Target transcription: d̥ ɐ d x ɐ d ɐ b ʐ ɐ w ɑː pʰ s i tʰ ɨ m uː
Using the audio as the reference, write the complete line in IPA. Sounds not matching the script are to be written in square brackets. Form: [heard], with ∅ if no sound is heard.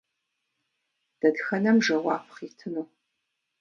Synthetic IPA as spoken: d̥ ɐ d x ɐ [n] ɐ [m] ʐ ɐ w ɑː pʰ [χ] i tʰ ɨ [n] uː